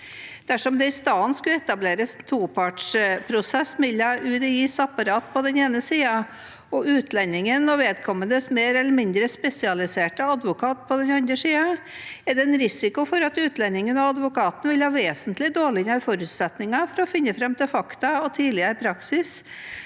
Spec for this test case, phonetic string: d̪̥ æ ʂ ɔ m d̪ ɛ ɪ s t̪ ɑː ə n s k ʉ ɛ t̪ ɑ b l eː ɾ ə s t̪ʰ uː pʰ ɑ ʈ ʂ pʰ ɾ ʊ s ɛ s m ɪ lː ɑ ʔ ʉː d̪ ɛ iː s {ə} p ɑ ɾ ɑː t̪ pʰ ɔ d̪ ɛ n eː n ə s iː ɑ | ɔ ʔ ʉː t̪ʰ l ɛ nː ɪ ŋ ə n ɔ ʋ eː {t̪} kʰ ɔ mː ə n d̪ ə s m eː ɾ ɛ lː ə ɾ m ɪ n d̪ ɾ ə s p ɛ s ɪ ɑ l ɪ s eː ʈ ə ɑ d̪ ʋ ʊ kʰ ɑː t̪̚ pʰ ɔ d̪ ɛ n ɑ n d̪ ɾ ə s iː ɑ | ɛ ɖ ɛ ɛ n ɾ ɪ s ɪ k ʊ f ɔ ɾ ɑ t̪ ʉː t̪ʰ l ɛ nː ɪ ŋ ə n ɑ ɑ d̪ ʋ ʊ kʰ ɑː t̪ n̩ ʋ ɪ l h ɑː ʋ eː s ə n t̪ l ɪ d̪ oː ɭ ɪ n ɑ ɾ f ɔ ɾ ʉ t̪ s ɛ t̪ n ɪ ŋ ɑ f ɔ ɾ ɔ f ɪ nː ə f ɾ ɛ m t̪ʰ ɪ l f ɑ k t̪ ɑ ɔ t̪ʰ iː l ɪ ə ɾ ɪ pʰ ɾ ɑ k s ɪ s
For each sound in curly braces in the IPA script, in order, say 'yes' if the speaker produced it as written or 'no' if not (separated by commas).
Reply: no, no